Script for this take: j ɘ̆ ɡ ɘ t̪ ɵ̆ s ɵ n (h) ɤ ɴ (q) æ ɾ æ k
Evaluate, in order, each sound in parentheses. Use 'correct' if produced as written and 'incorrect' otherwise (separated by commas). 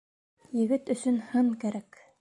correct, incorrect